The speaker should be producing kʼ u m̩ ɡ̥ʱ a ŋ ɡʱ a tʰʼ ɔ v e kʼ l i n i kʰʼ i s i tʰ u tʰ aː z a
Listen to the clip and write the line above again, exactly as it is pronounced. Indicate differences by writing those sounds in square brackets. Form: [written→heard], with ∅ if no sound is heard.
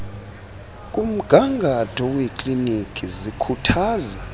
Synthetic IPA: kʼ u m̩ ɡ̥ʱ a ŋ ɡʱ a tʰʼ ɔ [v→w] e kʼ l i n i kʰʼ i [s→z] i [tʰ→kʰ] u tʰ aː z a